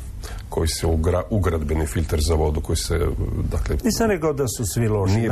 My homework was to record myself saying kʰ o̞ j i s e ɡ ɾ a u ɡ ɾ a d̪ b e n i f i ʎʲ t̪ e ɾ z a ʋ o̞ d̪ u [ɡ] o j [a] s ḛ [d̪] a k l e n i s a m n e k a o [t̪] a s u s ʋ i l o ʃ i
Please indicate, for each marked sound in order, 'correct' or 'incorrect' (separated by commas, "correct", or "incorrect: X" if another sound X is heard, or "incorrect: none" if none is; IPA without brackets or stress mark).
incorrect: k, incorrect: i, correct, incorrect: d̪